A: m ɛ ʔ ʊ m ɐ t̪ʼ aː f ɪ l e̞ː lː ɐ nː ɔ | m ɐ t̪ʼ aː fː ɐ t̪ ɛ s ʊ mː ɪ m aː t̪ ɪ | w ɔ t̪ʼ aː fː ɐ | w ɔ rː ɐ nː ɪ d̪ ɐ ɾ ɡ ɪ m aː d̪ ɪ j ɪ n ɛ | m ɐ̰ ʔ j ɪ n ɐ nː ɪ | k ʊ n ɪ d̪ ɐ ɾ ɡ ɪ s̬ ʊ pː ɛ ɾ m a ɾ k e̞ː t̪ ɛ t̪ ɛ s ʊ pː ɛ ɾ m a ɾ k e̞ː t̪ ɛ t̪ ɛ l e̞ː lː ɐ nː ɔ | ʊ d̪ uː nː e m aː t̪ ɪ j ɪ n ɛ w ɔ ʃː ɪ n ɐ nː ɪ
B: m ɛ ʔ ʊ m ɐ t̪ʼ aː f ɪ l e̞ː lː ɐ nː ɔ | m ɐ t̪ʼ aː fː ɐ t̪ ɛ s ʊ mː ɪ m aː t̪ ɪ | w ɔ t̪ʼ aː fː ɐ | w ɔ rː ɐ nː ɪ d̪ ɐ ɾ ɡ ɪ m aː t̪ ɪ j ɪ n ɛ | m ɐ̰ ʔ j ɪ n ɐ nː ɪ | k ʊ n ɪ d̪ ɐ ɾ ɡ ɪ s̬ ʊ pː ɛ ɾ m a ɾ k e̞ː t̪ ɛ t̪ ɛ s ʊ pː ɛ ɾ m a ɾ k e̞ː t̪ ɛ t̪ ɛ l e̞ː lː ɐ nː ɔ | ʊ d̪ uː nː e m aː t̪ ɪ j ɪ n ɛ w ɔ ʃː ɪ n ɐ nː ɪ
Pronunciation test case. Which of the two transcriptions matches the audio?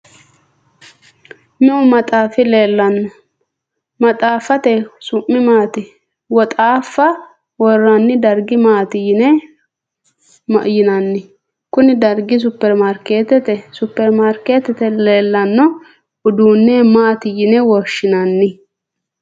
B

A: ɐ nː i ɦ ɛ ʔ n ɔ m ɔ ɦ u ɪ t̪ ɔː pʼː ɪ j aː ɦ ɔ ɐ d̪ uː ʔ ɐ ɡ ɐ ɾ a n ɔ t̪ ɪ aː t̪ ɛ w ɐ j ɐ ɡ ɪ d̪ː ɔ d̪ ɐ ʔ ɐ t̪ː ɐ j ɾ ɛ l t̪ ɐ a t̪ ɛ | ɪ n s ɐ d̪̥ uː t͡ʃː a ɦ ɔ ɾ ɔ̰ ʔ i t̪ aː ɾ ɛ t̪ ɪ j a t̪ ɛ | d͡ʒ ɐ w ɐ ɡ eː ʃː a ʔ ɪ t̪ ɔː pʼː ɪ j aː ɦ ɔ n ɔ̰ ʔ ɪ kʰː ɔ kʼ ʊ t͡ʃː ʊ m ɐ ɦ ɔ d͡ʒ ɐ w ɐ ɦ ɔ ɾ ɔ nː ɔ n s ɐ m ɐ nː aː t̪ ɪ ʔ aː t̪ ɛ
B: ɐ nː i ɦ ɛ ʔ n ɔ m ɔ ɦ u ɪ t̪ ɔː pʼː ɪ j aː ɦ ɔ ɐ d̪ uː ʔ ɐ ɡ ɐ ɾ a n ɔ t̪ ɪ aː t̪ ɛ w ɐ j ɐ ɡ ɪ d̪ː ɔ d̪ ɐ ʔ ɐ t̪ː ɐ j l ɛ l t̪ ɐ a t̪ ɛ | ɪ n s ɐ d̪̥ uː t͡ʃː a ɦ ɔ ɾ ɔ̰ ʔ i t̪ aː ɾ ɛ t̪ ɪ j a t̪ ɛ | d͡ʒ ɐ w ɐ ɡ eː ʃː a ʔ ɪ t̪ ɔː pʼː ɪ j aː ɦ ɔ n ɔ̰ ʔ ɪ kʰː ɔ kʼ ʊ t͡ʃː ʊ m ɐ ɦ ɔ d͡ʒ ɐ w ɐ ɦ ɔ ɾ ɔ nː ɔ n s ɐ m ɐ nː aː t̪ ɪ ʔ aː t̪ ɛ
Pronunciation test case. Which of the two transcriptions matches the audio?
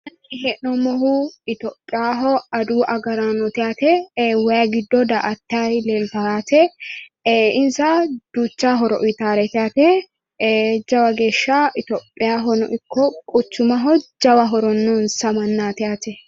B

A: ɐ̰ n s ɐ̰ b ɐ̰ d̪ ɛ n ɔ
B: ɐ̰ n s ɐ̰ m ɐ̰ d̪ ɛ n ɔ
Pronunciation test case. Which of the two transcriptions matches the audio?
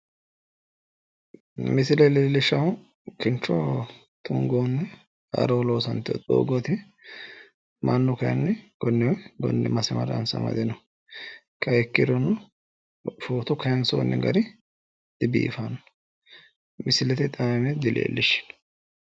B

